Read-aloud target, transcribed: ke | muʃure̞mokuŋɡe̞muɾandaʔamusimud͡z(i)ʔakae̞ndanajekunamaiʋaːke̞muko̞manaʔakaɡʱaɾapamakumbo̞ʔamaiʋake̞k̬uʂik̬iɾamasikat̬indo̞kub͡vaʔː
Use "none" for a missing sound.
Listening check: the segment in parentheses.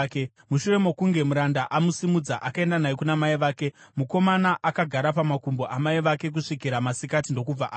a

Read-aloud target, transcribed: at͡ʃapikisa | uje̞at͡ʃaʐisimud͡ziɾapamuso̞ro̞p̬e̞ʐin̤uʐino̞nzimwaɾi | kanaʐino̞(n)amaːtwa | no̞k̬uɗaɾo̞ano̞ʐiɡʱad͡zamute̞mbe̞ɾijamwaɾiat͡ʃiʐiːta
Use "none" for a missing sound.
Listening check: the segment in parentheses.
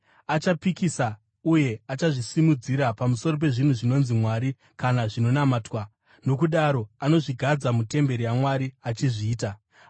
n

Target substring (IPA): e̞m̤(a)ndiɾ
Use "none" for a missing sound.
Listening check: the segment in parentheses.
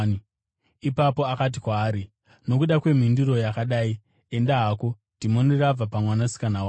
i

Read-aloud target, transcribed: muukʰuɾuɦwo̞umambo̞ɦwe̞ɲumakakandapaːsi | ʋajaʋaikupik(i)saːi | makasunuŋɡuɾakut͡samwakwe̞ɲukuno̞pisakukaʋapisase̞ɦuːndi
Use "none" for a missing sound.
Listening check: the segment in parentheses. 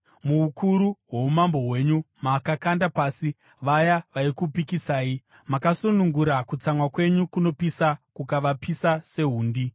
i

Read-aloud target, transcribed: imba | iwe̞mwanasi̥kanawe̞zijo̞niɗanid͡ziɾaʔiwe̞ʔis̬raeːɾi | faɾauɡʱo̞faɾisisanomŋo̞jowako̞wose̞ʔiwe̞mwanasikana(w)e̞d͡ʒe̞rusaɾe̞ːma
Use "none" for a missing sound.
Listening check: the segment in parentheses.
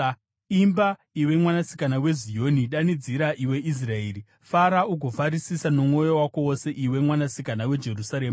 w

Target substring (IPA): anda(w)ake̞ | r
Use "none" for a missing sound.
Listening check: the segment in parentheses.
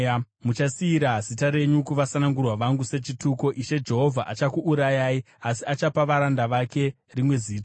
ʋ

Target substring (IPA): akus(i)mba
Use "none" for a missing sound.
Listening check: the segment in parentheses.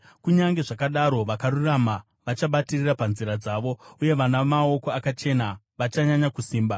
iː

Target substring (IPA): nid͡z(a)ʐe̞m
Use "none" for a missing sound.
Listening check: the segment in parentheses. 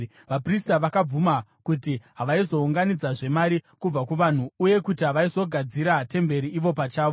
a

